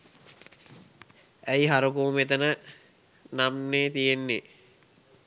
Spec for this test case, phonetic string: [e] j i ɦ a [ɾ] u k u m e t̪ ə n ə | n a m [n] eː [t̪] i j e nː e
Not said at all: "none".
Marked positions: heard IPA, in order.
æ, ɾ, n, t̪

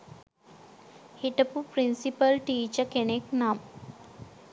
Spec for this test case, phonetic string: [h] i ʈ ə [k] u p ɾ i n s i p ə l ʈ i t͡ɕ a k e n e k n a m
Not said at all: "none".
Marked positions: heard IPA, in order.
h, p

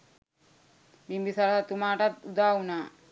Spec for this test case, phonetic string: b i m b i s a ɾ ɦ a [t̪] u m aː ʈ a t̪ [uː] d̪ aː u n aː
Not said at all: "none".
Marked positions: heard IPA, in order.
t̪, u

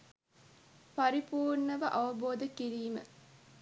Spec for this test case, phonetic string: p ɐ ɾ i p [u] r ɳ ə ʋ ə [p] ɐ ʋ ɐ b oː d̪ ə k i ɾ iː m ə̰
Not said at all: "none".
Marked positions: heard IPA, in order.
uː, ʔ

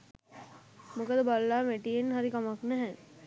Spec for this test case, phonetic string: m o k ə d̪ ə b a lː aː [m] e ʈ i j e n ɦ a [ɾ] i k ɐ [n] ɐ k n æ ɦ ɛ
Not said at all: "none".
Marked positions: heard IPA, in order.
m, ɾ, m

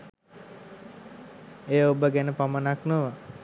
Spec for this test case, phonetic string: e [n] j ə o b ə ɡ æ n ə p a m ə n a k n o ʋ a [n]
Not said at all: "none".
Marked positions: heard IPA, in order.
none, none

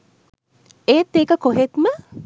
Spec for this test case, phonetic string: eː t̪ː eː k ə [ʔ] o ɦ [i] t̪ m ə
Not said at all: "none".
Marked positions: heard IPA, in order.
k, e

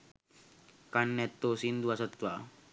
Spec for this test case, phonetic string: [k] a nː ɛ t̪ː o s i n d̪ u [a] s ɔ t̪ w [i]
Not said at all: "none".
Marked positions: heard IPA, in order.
k, a, a

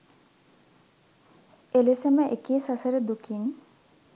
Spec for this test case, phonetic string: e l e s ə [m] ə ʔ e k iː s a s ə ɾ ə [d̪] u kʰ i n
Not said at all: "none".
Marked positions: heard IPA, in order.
m, d̪

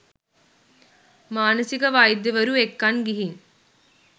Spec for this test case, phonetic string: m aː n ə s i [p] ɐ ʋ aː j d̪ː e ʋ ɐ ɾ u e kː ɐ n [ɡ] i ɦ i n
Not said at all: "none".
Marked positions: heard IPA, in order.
k, ɡ

